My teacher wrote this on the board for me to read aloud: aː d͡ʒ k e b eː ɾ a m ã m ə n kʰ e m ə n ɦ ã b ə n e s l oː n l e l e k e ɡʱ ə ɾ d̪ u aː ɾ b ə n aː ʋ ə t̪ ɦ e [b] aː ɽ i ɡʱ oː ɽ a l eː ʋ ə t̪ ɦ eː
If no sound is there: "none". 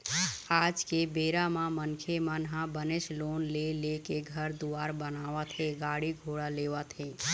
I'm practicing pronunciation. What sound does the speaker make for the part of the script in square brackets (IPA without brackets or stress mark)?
ɡ